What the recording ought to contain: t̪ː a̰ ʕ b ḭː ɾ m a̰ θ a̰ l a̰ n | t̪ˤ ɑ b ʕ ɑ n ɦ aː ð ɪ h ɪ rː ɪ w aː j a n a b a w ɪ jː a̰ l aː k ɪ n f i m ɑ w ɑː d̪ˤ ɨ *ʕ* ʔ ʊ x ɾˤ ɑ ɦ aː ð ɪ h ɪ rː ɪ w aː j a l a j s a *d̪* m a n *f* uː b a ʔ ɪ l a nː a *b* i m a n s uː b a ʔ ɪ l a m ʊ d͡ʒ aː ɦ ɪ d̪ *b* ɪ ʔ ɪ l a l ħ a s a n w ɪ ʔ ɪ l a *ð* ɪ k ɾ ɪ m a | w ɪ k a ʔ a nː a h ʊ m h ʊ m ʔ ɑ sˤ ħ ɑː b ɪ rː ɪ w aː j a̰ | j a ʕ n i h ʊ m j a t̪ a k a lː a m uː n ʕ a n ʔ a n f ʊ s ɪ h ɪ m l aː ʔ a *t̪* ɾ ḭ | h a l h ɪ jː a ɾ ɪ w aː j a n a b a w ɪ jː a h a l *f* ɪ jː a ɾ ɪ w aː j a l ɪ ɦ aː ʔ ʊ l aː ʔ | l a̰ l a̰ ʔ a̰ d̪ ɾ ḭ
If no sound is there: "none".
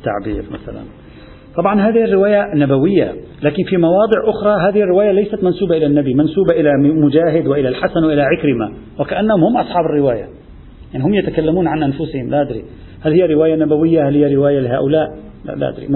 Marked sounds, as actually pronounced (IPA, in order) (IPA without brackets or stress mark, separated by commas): ʕ, t̪, s, b, w, ʕ, d̪, h